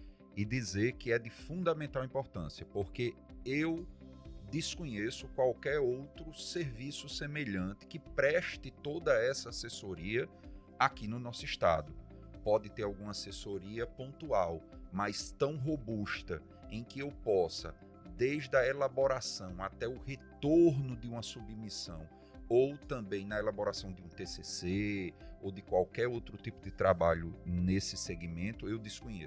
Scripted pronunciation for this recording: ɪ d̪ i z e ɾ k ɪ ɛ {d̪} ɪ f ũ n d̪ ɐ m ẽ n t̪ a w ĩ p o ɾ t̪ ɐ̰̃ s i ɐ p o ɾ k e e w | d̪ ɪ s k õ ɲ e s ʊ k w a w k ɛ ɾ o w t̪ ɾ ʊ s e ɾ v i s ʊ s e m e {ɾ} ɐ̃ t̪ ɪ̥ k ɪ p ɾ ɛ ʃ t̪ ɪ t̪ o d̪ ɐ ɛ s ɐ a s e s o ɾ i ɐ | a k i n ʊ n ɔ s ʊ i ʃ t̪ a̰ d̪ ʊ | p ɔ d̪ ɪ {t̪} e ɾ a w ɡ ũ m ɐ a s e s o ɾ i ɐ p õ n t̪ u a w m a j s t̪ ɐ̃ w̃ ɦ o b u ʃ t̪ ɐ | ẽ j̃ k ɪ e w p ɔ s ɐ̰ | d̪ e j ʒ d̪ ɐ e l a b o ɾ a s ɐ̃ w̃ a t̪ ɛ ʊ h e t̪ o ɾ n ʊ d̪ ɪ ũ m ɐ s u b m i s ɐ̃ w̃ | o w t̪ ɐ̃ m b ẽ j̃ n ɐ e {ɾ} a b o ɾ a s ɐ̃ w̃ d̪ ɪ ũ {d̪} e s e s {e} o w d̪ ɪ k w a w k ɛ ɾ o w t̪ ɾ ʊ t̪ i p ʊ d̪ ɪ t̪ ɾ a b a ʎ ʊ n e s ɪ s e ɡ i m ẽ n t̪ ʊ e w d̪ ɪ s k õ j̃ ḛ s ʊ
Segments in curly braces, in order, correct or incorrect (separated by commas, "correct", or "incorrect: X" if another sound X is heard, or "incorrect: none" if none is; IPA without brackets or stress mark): correct, incorrect: ʎ, correct, incorrect: l, incorrect: t̪, correct